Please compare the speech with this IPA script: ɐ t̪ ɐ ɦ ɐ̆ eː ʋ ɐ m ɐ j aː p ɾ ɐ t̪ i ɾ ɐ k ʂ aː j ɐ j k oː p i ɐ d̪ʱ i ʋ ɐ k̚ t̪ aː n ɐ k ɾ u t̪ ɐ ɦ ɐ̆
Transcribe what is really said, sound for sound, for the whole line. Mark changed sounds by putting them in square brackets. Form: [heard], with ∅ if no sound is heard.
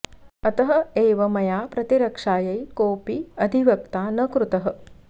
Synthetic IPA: ɐ t̪ ɐ ɦ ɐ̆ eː ʋ ɐ m ɐ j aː p ɾ ɐ t̪ i ɾ ɐ k ʂ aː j ɐ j k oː p i ɐ d̪ʱ i ʋ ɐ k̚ t̪ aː n ɐ k ɾ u t̪ ɐ ɦ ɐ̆